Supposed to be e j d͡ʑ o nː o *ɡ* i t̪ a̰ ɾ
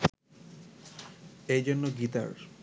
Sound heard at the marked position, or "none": ɡ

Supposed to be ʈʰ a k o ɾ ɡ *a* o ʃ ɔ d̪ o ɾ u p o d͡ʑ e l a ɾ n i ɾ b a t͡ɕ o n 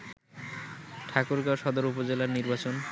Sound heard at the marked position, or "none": a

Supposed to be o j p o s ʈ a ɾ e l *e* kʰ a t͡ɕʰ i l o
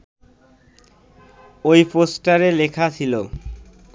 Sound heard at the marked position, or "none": e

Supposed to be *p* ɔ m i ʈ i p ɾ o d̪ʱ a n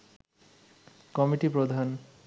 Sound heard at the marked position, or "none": k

